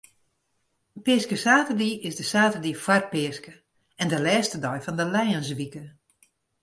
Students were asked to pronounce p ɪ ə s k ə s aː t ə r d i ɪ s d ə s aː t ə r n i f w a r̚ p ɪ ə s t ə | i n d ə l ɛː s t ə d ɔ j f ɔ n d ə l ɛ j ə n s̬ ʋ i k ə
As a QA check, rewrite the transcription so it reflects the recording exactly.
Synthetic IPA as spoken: p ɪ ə s k ə s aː t ə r d i ɪ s d ə s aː t ə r d i f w a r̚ p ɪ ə s k ə | ɛ n d ə l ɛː s t ə d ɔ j f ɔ n d ə l ɛ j ə n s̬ ʋ i k ə